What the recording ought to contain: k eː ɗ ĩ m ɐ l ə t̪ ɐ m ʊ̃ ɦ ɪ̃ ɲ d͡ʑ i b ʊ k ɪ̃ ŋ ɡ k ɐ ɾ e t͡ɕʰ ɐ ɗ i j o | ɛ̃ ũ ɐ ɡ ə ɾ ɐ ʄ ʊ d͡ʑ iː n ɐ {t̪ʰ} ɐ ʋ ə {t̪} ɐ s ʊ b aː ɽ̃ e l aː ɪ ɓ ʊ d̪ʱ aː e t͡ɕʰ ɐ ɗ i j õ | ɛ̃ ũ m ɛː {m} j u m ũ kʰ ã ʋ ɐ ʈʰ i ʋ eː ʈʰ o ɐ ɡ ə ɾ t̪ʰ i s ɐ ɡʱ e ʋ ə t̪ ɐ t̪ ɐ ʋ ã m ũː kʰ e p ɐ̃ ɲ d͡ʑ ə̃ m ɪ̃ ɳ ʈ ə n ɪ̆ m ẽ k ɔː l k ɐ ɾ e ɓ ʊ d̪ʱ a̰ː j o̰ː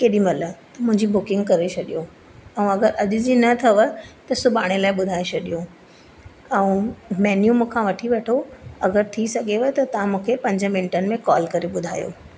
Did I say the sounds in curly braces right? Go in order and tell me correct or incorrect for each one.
correct, correct, incorrect

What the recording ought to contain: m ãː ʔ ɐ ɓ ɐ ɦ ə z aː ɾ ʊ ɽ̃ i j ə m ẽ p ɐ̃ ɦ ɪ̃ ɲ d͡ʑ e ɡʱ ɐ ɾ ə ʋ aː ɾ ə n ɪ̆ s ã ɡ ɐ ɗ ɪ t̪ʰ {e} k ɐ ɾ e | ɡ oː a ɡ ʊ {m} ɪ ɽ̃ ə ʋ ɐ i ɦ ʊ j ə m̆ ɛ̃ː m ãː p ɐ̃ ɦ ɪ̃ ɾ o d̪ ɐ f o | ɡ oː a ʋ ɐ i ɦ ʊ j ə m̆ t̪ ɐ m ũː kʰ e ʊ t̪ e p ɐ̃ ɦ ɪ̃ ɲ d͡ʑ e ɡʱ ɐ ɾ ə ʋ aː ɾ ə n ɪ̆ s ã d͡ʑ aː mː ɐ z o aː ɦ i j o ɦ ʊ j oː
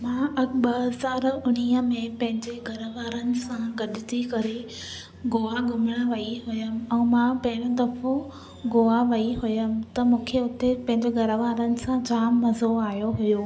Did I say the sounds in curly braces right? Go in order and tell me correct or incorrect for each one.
incorrect, correct

